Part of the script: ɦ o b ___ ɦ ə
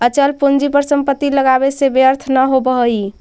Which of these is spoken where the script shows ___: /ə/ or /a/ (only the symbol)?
ə